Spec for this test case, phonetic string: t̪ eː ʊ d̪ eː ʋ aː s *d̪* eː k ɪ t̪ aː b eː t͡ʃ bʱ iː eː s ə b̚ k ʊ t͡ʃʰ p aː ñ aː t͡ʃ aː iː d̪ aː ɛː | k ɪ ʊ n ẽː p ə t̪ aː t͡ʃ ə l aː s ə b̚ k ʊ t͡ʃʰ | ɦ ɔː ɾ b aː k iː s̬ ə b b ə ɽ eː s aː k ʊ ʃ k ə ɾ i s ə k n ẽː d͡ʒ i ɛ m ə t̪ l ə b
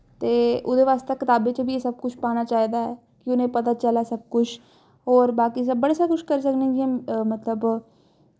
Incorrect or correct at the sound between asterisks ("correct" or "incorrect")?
incorrect